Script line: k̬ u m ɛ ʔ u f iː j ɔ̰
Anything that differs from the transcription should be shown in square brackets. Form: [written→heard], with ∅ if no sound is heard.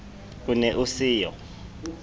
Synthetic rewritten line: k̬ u [m→n] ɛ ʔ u [f→s] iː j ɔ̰